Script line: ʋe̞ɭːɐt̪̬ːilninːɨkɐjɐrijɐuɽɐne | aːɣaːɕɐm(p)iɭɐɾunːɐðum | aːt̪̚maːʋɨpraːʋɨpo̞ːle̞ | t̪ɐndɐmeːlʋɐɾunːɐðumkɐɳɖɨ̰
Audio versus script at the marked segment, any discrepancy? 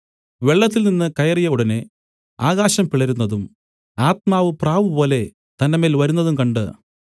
no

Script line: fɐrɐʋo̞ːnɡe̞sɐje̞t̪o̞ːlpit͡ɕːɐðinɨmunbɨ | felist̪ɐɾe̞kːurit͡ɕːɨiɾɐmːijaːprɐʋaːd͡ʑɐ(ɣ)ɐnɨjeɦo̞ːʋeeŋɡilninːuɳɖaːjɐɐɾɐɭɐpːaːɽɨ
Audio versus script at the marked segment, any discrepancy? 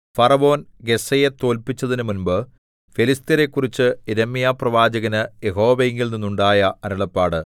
no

